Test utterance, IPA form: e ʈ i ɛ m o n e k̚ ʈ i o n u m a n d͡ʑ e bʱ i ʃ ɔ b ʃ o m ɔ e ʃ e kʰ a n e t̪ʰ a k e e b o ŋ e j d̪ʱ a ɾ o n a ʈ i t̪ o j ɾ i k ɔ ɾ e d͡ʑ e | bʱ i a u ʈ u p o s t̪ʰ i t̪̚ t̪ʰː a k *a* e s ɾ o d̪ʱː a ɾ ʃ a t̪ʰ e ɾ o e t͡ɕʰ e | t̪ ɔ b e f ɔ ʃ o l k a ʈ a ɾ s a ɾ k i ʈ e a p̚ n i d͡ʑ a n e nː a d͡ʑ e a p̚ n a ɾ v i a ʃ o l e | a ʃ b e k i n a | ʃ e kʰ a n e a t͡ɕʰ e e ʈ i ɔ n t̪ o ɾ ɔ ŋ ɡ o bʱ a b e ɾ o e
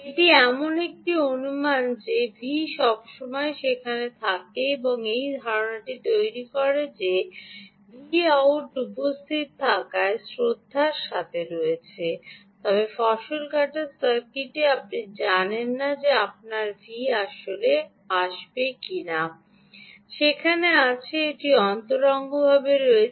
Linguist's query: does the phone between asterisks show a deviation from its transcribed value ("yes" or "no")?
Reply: no